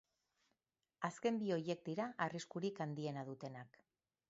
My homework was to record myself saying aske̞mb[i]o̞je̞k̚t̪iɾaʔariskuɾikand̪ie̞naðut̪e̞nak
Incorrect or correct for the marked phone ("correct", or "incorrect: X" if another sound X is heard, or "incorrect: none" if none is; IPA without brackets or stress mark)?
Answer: correct